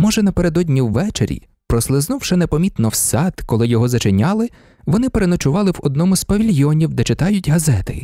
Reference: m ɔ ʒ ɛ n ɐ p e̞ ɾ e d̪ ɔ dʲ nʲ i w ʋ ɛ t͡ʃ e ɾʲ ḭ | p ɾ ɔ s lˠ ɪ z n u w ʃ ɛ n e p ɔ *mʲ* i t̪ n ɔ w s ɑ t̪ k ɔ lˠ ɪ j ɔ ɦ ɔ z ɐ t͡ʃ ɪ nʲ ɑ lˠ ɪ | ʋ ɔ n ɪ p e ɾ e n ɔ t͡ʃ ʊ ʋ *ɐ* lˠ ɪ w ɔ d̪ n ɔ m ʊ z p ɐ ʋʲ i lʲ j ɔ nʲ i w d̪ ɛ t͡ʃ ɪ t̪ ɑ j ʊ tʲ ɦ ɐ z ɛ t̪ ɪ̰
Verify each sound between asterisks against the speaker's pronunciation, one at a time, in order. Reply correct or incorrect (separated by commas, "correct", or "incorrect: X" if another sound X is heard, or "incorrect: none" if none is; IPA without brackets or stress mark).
correct, incorrect: ɑ